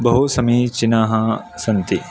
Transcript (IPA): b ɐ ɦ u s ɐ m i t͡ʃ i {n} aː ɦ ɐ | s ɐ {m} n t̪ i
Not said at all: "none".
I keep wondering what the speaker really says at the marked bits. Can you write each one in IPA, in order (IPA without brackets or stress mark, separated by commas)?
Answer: n, none